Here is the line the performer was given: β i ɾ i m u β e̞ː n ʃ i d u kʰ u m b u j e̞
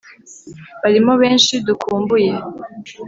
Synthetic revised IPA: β a ɾ i m o β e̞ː n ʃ i d u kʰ uː m b u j e̞